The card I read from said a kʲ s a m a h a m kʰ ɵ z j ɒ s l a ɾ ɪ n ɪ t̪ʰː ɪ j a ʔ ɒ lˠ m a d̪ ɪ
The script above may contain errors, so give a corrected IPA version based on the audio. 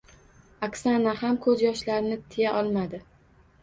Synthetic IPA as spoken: a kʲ s a n a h a m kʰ ɵ z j ɒ ʃ l a ɾ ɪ n ɪ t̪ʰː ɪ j a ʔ ɒ lˠ m a d̪ ɪ